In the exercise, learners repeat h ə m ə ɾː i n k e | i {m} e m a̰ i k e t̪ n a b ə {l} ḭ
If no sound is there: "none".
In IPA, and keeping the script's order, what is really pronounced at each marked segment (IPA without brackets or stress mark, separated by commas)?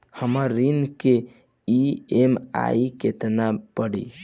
none, ɽ